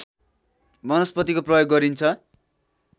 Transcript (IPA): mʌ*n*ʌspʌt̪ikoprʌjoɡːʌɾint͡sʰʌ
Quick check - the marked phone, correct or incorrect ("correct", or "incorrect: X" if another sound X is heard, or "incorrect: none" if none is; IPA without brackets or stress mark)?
correct